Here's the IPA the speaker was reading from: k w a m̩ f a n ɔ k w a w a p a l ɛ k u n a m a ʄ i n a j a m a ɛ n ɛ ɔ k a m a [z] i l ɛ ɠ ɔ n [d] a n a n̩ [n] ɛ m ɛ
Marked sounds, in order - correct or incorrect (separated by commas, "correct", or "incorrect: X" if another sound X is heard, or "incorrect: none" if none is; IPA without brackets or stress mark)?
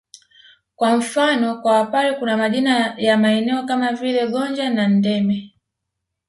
incorrect: v, incorrect: d͡ʒ, incorrect: d